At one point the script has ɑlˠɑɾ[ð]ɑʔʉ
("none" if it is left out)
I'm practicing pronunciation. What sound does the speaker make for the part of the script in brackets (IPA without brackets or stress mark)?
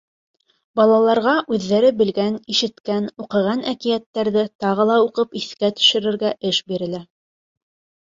ʁ